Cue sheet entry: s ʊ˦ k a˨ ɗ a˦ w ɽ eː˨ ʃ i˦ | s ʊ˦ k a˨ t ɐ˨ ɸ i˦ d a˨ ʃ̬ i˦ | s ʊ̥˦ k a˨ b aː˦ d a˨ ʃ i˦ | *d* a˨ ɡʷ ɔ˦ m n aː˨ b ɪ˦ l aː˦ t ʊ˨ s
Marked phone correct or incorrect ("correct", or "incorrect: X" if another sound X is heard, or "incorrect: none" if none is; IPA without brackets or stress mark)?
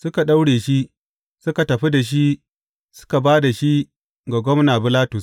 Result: incorrect: ɡ